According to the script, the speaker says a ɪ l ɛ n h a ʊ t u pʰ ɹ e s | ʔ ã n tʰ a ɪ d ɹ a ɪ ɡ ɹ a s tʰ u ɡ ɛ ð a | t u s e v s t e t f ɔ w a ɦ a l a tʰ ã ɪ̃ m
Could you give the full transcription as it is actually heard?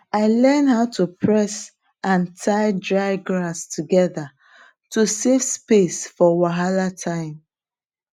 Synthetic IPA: a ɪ l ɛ n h a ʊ t u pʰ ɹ ɛ s | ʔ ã n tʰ a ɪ d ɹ a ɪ ɡ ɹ a s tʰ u ɡ ɛ ð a | t u s e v s p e s f ɔ w a ɦ a l a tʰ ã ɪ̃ m